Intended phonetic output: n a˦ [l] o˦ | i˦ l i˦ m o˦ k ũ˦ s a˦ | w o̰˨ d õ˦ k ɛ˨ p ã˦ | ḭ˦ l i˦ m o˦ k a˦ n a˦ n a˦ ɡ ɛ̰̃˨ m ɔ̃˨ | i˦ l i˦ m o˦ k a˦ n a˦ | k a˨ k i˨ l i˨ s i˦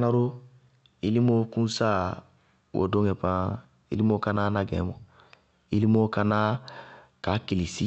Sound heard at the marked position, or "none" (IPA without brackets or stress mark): ɾ